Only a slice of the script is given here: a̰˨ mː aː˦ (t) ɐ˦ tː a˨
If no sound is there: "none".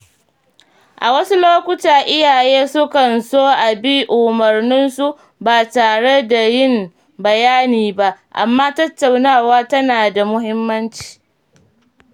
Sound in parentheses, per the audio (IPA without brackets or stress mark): t